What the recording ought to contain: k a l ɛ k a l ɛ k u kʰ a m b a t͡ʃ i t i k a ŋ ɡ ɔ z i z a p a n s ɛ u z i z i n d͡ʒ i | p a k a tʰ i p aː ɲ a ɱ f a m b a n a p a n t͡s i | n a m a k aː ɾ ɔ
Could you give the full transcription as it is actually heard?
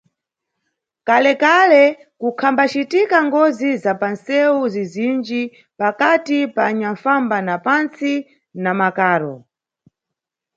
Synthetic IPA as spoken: k a l ɛ k a l ɛ k u kʰ a m b a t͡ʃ i t i k a ŋ ɡ ɔ z i z a p a n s ɛ u z i z i n d͡ʒ i | p a k a t i p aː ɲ a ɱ f a m b a n a p a n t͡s i | n a m a k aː ɾ ɔ